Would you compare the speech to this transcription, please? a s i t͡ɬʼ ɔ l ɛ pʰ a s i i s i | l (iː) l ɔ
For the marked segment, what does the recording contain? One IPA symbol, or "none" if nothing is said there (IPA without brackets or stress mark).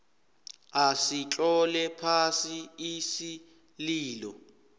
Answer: iː